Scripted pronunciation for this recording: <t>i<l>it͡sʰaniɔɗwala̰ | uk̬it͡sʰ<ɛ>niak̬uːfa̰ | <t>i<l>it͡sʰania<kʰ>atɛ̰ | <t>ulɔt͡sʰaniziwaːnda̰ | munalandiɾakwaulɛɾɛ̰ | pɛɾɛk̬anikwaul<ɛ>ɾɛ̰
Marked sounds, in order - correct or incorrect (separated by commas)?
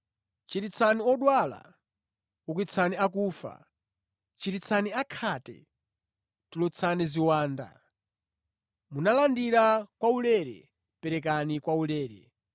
incorrect, incorrect, incorrect, incorrect, incorrect, correct, correct, incorrect